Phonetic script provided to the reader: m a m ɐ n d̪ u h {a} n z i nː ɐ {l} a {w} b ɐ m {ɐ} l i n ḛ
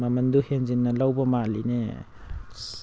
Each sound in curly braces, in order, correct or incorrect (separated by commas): incorrect, correct, correct, incorrect